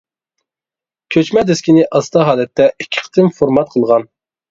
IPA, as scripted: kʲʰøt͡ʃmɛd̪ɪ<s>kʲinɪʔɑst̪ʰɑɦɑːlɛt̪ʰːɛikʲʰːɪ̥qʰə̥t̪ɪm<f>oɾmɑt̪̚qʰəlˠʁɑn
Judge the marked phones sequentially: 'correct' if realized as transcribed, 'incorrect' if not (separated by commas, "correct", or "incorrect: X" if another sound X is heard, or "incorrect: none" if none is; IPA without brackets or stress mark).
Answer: correct, correct